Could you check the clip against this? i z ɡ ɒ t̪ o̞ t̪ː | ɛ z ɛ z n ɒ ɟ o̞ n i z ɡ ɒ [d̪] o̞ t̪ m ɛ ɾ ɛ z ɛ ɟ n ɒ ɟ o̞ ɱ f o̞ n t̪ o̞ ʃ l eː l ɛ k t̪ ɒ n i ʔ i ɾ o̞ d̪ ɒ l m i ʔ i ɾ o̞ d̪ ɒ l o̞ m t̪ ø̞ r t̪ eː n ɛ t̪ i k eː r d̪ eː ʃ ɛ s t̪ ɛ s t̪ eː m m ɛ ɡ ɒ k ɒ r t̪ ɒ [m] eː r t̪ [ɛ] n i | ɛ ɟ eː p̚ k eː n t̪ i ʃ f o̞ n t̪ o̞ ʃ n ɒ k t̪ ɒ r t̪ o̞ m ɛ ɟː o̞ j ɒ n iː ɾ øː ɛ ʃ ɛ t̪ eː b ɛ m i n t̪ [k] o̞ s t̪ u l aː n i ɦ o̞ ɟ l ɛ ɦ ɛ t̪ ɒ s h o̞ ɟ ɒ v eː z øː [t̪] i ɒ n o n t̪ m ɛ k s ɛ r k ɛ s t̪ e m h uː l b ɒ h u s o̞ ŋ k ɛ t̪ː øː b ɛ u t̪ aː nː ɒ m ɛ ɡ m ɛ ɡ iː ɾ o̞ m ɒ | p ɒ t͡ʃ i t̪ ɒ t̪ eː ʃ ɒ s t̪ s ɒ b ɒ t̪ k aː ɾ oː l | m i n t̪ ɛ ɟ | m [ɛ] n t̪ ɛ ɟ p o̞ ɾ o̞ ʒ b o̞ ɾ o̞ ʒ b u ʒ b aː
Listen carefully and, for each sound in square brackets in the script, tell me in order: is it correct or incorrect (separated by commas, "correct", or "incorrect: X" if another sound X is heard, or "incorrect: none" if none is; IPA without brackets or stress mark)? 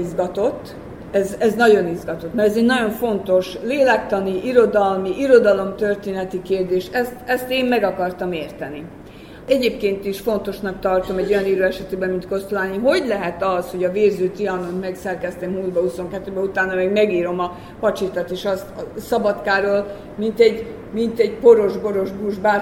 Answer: incorrect: t̪, correct, correct, correct, correct, incorrect: i